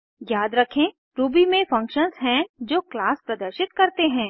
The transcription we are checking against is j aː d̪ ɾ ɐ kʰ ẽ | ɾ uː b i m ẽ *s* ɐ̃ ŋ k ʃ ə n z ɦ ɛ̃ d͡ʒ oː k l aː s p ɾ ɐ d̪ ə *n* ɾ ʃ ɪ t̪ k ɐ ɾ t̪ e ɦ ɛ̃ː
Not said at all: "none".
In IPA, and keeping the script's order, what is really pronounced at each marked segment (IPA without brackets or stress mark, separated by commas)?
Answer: f, none